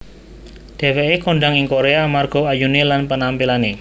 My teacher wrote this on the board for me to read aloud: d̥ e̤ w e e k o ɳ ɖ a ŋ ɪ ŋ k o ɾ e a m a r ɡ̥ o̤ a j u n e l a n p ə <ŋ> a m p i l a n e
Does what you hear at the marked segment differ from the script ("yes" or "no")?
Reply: yes